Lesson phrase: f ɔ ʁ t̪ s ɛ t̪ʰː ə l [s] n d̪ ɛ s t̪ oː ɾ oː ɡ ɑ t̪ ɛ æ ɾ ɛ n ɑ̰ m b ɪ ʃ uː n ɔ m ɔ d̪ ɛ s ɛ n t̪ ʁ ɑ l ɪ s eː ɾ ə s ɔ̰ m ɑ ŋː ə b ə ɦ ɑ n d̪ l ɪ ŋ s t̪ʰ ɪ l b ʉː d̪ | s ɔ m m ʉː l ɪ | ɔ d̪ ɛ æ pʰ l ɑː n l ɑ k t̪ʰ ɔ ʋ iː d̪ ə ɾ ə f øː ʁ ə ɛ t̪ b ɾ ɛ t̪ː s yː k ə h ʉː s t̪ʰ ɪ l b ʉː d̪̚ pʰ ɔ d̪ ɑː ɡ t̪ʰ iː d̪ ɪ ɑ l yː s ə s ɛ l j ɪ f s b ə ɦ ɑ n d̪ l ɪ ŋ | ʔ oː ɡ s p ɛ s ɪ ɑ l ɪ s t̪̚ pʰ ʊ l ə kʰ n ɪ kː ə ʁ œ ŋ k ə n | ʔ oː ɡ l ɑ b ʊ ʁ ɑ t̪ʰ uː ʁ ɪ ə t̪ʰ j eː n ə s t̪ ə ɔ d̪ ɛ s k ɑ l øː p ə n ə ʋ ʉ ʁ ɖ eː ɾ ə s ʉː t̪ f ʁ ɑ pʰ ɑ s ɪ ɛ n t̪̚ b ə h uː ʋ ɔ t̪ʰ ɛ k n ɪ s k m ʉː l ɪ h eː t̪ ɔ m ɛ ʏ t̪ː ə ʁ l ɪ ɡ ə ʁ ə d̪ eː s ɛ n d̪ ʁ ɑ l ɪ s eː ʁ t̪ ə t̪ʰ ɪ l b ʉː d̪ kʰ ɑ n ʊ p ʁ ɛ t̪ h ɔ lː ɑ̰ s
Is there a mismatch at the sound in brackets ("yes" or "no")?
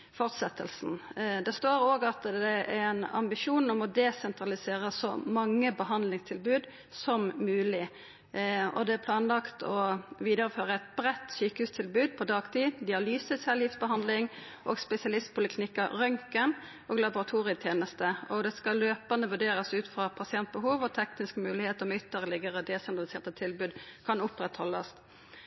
no